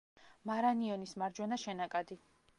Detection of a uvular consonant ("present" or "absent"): absent